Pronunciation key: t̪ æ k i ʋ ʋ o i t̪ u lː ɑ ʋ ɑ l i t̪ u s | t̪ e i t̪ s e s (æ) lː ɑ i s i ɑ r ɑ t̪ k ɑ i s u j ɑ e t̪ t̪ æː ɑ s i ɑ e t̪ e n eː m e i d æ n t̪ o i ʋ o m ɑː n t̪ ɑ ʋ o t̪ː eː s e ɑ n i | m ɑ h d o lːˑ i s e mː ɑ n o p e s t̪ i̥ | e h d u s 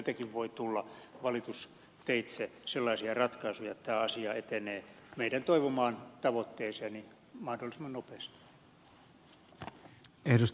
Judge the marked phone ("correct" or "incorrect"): incorrect